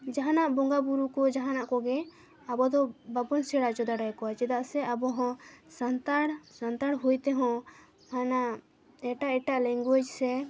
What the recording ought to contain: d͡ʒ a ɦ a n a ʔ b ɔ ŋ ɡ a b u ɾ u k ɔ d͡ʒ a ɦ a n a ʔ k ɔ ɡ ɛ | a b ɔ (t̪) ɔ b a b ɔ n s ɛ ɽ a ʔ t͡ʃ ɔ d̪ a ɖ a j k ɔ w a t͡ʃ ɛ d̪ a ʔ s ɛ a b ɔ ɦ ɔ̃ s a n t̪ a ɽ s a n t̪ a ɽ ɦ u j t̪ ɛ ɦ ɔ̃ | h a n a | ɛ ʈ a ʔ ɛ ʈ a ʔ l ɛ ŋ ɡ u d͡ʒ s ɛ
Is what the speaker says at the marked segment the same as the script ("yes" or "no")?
no